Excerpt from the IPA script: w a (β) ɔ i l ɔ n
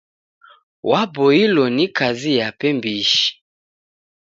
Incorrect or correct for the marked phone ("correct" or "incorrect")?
incorrect